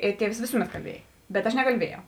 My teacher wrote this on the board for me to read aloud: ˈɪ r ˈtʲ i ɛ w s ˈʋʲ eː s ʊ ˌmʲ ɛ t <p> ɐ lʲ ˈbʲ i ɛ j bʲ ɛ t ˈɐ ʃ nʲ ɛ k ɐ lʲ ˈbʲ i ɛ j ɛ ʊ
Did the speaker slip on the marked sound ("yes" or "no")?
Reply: yes